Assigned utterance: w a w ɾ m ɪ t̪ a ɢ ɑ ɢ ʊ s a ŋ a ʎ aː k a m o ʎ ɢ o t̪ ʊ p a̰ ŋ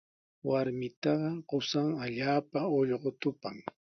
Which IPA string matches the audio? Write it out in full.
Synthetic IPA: w a ɾ m ɪ t̪ ɑ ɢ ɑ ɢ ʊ s a ŋ a ʎ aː p a o ʎ ɢ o t̪ ʊ p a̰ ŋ